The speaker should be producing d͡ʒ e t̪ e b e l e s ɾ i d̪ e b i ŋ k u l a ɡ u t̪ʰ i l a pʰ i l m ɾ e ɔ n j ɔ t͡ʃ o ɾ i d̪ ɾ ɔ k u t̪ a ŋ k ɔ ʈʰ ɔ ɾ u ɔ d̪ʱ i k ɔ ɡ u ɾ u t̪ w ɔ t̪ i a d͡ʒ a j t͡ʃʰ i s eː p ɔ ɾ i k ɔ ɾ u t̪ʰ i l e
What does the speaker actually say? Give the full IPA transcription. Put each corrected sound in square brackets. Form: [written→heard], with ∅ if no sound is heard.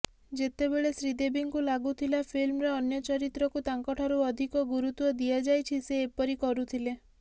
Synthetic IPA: d͡ʒ e t̪ e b e [l→ɭ] e s ɾ i d̪ e b i ŋ k u l a ɡ u t̪ʰ i l a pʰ i l m ɾ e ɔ n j ɔ t͡ʃ [o→ɔ] ɾ i [d̪→t̪] ɾ ɔ k u t̪ a ŋ k ɔ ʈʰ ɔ ɾ u ɔ d̪ʱ i k ɔ ɡ u ɾ u t̪ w ɔ [t̪→d̪] i a d͡ʒ a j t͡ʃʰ i s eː p ɔ ɾ i k ɔ ɾ u t̪ʰ i l e